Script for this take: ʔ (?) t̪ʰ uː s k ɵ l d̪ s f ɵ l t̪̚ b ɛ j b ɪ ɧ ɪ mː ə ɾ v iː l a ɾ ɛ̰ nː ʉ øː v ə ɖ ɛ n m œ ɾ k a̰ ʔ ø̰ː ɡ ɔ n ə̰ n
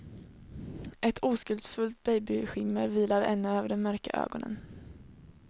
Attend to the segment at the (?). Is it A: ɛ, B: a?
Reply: A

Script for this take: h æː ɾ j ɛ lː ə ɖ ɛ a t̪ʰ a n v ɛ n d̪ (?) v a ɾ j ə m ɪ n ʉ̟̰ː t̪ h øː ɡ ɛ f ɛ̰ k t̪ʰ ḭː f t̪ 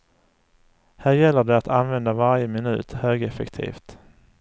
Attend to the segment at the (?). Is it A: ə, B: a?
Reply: B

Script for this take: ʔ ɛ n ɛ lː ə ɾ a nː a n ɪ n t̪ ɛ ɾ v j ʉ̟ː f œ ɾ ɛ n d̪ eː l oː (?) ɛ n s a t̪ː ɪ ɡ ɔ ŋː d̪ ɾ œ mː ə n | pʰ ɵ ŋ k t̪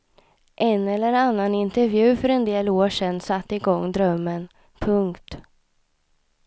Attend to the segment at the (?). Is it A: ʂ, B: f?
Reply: A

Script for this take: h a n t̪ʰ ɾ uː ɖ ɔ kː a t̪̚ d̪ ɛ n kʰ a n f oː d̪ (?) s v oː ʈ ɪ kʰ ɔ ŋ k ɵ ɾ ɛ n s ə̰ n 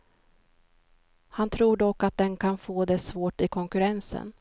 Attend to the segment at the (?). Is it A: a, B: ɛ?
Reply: B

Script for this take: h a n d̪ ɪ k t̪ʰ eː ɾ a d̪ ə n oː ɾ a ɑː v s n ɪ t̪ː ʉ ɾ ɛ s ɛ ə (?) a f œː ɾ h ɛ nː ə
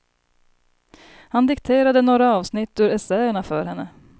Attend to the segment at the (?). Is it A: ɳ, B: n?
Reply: A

